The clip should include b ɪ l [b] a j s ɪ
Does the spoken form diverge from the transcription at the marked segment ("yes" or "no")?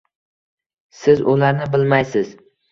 yes